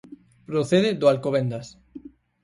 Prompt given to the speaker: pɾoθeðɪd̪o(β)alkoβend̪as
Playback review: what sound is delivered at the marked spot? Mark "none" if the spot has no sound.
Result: none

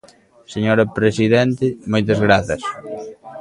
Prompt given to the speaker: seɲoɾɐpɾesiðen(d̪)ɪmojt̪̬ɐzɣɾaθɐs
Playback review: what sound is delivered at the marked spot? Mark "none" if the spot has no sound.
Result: t̪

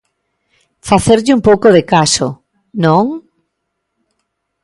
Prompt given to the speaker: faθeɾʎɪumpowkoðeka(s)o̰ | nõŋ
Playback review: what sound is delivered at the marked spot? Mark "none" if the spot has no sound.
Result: s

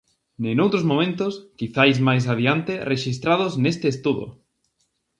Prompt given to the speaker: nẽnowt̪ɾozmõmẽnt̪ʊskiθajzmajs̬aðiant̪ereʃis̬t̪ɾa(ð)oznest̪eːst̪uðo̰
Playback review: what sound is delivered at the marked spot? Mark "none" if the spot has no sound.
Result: ð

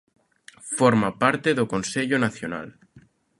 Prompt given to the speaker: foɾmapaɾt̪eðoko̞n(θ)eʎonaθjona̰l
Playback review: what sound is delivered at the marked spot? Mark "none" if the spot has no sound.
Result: s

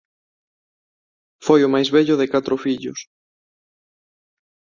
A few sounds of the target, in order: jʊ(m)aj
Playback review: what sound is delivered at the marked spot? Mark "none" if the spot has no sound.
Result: m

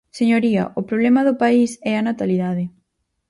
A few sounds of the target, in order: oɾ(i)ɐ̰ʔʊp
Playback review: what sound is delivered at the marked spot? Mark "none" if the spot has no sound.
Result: i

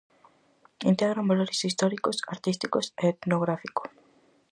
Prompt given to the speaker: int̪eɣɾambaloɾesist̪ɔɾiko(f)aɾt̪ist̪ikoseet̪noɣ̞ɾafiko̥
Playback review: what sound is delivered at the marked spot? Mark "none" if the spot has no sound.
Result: s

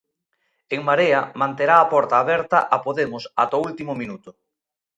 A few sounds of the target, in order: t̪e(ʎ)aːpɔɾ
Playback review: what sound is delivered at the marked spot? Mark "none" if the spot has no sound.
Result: ɾ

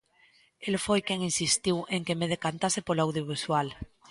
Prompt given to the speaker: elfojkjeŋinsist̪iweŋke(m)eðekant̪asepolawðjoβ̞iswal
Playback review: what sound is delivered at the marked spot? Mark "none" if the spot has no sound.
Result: m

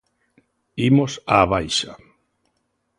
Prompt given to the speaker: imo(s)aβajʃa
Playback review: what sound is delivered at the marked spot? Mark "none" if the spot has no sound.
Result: s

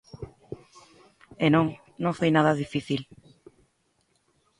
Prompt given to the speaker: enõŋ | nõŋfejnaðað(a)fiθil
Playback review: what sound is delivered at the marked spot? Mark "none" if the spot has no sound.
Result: i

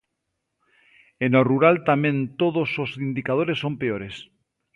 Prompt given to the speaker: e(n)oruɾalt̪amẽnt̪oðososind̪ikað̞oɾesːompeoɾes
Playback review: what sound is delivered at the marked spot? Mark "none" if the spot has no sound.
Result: n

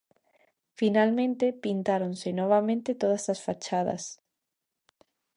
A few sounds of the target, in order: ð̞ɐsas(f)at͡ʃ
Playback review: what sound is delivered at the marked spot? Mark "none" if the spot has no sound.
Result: f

